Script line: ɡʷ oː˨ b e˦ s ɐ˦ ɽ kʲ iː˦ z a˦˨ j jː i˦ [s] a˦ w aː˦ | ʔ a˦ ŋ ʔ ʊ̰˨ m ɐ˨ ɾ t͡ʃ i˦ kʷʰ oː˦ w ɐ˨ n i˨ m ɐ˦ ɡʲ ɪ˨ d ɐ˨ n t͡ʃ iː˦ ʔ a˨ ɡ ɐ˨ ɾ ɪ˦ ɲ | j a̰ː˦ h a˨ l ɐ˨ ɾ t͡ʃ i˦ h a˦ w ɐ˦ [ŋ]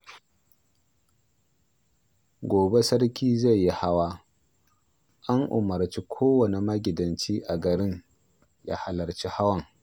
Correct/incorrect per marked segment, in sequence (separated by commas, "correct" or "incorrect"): incorrect, correct